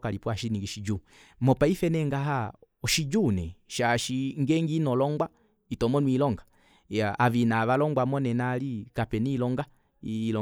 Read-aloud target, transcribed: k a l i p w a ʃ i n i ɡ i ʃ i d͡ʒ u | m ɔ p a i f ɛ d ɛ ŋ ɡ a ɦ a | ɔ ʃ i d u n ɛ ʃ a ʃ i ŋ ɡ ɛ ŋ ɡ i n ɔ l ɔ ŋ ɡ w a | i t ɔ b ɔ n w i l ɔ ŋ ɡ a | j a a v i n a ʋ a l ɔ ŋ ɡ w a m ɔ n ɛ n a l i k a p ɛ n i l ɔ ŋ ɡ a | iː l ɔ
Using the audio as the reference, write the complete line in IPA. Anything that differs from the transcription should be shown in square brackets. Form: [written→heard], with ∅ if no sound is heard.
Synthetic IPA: k a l i p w a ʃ i n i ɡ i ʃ i d͡ʒ u | m ɔ p a i f ɛ [d→n] ɛ ŋ ɡ a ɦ a | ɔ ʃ i [d→d͡ʒ] u n ɛ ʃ a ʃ i ŋ ɡ ɛ ŋ ɡ i n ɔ l ɔ ŋ ɡ w a | i t ɔ [b→m] ɔ n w i l ɔ ŋ ɡ a | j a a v i n a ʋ a l ɔ ŋ ɡ w a m ɔ n ɛ n a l i k a p ɛ n i l ɔ ŋ ɡ a | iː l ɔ